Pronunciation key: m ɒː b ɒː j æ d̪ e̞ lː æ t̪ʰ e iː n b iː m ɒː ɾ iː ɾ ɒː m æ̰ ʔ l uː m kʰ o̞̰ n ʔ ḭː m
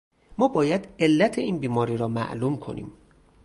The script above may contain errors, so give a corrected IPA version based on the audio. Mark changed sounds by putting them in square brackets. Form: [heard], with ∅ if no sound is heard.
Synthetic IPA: m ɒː b ɒː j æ d̪ e̞ lː æ t̪ʰ e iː n b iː m ɒː ɾ iː ɾ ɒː m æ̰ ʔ l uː m kʰ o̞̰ n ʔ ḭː m

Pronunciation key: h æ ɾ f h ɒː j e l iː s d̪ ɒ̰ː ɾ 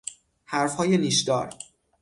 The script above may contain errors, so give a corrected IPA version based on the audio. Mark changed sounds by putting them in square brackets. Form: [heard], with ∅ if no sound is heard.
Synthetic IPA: h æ ɾ f h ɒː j e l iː [ʃ] d̪ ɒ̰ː ɾ

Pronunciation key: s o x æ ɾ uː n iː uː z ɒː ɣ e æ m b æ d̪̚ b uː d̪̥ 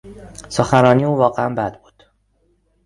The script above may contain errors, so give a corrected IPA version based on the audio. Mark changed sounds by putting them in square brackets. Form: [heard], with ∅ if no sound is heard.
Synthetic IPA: s o x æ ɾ [ɒː] n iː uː [v] ɒː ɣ e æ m b æ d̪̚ b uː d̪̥

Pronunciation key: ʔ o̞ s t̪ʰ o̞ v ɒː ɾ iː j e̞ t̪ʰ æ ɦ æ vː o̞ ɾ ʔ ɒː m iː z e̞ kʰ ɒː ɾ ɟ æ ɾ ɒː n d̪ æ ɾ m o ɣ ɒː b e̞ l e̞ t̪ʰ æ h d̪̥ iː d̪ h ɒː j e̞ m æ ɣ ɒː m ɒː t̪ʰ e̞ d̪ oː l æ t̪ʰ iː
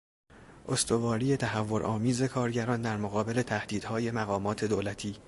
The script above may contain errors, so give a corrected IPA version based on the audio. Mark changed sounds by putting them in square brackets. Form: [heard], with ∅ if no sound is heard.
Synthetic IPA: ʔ o̞ s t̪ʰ o̞ v ɒː ɾ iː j e̞ t̪ʰ æ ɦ æ vː o̞ ɾ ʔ ɒː m iː z e̞ kʰ ɒː ɾ ɟ æ ɾ ɒː n d̪ æ ɾ m o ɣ ɒː b e̞ l e̞ t̪ʰ æ h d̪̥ iː d̪ h ɒː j e̞ m æ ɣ ɒː m ɒː t̪ʰ e̞ d̪ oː l æ t̪ʰ iː

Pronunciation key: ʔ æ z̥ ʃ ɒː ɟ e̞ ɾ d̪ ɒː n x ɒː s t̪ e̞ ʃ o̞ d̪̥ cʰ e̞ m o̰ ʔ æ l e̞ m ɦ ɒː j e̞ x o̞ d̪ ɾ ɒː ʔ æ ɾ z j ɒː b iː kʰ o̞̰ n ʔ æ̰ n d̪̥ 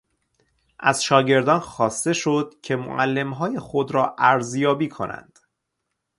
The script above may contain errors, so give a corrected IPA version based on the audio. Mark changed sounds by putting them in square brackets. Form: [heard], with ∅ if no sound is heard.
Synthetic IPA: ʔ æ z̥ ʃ ɒː ɟ e̞ ɾ d̪ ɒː n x ɒː s t̪ e̞ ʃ o̞ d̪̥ cʰ e̞ m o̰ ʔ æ [lː] e̞ m ɦ ɒː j e̞ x o̞ d̪ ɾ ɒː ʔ æ ɾ z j ɒː b iː kʰ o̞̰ n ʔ æ̰ n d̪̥

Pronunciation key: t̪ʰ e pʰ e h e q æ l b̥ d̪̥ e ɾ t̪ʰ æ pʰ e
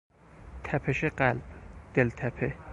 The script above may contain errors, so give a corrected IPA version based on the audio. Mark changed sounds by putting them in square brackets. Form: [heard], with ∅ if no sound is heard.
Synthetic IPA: t̪ʰ [æ] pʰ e [ʃ] e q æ l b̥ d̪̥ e [l] t̪ʰ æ pʰ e

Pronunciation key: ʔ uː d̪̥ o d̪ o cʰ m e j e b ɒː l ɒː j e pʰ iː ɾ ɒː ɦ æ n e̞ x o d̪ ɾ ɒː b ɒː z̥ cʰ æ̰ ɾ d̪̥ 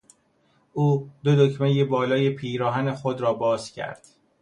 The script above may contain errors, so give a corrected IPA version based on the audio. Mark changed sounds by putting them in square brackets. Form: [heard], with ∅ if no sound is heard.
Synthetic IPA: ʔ uː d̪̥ o d̪ o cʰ m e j e b ɒː l ɒː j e pʰ iː ɾ ɒː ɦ æ n e̞ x o d̪ ɾ ɒː b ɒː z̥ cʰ æ̰ ɾ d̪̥

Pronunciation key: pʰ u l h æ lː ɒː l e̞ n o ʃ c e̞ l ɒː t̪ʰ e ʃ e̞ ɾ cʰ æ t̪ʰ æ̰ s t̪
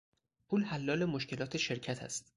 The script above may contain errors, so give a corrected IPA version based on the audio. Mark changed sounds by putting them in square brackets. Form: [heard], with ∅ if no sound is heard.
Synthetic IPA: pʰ u l h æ lː ɒː l e̞ [m] o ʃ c e̞ l ɒː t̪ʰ e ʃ e̞ ɾ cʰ æ t̪ʰ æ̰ s t̪

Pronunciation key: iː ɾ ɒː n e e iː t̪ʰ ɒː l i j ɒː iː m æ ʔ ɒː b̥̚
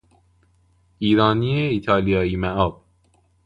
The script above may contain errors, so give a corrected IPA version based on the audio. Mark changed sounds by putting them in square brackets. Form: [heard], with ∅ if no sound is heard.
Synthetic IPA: iː ɾ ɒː n [i] e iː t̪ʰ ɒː l i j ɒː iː m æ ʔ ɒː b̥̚

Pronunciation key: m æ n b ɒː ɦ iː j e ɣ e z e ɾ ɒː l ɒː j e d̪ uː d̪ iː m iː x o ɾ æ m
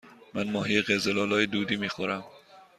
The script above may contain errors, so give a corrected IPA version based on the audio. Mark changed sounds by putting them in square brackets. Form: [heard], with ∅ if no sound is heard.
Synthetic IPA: m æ n [m] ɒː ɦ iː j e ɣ e z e [l] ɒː l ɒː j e d̪ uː d̪ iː m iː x o ɾ æ m

